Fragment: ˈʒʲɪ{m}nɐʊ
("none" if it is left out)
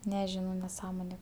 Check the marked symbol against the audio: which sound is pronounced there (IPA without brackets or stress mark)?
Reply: none